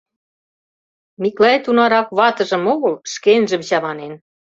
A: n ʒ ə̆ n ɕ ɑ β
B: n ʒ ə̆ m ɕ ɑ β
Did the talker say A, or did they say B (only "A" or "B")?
B